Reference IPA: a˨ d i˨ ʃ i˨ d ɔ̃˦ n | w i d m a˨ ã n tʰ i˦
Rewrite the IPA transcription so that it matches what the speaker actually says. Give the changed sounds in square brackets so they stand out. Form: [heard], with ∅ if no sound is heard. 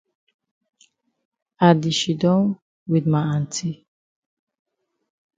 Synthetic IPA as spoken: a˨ d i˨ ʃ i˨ d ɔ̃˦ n | w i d m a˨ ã n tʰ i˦